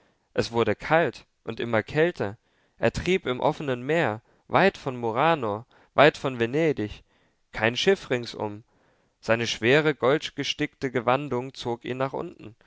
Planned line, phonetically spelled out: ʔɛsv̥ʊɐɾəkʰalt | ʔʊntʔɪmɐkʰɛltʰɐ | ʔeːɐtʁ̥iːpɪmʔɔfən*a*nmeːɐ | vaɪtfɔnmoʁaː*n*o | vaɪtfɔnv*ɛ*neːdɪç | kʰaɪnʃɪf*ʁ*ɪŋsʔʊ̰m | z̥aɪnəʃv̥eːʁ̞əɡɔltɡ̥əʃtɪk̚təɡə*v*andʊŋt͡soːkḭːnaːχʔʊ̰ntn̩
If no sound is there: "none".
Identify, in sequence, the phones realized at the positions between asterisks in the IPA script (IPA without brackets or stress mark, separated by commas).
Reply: ə, n, e, ʁ, v